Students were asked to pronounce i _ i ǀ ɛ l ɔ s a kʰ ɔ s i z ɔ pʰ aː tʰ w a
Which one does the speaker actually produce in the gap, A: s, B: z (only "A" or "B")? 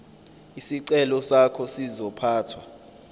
A